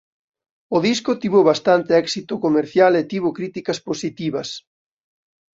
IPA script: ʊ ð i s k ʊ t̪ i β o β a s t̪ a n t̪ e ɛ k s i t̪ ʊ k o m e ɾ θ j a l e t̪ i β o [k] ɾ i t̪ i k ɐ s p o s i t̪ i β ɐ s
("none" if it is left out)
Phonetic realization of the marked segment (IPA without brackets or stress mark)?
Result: k